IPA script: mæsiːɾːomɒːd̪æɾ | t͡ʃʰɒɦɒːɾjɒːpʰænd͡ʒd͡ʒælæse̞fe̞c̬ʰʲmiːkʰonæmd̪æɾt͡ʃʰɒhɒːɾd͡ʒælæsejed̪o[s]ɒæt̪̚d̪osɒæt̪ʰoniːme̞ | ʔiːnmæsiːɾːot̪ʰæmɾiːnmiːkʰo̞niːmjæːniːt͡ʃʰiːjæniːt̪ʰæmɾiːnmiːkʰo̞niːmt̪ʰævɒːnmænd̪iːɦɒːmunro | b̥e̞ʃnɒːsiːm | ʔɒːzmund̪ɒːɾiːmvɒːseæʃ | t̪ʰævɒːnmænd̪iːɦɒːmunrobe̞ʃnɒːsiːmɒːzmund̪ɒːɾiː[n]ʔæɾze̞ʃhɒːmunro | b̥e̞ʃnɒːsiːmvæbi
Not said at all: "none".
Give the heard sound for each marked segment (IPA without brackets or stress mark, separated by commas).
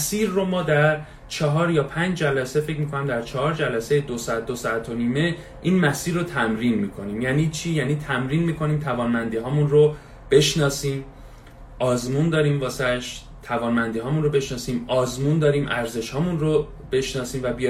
s, m